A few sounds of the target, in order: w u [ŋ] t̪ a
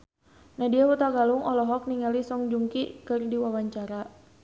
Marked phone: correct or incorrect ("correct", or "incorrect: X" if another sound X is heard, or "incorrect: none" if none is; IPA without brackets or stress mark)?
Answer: incorrect: none